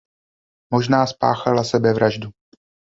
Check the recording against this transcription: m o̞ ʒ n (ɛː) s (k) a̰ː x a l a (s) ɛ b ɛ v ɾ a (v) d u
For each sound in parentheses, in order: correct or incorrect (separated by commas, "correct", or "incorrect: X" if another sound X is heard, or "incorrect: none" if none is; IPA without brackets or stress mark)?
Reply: incorrect: aː, incorrect: p, correct, incorrect: ʒ